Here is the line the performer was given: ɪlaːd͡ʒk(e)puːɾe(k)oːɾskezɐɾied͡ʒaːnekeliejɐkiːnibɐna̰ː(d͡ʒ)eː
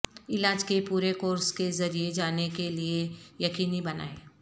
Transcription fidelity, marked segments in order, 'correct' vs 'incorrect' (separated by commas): correct, correct, incorrect